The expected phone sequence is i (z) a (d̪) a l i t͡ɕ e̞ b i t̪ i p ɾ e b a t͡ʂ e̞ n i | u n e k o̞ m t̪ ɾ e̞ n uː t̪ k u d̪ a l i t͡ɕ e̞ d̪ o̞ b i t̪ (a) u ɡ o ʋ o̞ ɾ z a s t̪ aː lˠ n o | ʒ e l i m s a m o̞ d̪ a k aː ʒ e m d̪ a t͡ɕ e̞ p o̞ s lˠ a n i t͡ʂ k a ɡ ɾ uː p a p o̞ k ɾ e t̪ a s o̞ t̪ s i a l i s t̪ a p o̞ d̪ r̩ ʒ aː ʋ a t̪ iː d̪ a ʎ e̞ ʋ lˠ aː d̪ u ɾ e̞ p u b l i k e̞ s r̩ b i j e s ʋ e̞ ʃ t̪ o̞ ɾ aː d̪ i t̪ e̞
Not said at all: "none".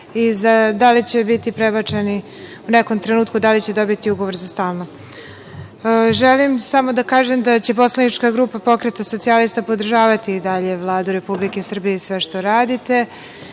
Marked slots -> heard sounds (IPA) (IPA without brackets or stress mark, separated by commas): z, d̪, i